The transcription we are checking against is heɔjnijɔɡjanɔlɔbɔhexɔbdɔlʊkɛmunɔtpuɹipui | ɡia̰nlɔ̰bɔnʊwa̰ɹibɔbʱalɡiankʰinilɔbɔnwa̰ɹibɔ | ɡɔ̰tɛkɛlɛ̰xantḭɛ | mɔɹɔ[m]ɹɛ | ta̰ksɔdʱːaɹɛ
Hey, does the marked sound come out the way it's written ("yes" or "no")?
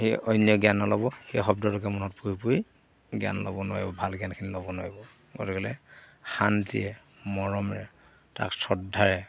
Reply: yes